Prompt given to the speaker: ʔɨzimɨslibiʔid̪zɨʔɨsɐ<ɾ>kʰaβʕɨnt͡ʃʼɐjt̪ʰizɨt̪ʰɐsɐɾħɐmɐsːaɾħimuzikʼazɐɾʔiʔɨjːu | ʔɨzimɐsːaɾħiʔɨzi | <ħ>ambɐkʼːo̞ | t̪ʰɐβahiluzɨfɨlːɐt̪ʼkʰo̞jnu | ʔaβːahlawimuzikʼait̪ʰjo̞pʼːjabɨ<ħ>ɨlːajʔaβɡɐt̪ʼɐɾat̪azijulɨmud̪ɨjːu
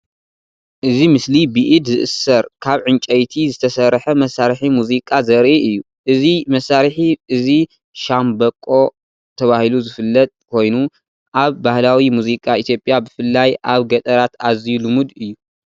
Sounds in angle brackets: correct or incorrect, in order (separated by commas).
correct, incorrect, incorrect